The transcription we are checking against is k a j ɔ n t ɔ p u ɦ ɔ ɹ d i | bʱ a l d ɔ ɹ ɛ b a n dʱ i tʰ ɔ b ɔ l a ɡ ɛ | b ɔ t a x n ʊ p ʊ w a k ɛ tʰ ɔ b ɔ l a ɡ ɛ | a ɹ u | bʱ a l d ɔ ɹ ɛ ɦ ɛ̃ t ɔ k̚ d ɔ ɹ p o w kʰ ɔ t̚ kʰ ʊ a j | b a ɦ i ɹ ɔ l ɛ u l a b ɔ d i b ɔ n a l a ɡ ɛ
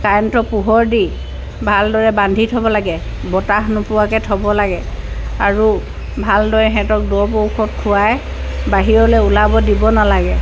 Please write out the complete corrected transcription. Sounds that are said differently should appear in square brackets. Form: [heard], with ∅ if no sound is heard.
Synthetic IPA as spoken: k a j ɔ n t ɔ p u ɦ ɔ ɹ d i | bʱ a l d ɔ ɹ ɛ b a n dʱ i tʰ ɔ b ɔ l a ɡ ɛ | b ɔ t a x n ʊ p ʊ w a k ɛ tʰ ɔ b ɔ l a ɡ ɛ | a ɹ u | bʱ a l d ɔ ɹ ɛ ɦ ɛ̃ t ɔ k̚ d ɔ ɹ p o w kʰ ɔ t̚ kʰ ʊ a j | b a ɦ i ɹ ɔ l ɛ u l a b ɔ d i b ɔ n a l a ɡ ɛ